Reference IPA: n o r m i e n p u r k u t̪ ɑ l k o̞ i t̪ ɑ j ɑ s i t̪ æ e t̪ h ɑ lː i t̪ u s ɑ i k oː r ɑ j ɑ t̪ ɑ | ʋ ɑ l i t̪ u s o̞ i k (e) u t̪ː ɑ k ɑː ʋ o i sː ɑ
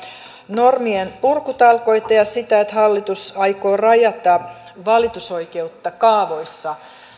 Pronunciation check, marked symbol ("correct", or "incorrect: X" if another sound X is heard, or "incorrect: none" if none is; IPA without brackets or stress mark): correct